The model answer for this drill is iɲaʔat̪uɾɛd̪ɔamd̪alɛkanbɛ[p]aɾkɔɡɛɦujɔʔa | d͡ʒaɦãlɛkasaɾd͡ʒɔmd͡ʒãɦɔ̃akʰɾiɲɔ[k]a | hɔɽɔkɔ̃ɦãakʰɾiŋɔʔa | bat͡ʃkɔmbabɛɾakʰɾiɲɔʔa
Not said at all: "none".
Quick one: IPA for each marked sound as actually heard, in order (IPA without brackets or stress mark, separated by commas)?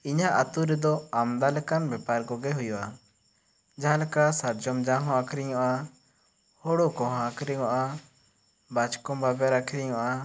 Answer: p, ʔ